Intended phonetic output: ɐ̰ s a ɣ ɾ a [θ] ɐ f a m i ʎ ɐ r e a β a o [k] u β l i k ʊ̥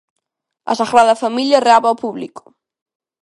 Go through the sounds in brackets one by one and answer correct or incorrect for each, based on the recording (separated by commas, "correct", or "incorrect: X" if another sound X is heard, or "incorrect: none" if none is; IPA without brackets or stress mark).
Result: incorrect: ð, incorrect: p